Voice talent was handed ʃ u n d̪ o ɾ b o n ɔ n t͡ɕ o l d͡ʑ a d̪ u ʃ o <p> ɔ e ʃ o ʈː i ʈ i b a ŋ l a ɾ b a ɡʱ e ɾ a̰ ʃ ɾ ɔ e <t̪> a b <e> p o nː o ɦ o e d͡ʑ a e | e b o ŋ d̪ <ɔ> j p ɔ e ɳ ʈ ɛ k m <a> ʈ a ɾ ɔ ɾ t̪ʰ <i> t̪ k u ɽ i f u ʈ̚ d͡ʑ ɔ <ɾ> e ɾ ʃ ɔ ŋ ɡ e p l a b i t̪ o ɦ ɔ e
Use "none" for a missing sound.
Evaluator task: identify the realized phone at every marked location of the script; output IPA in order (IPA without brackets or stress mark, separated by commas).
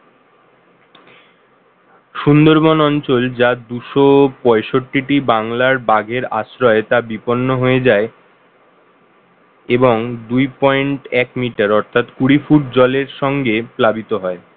p, t̪, i, u, i, a, l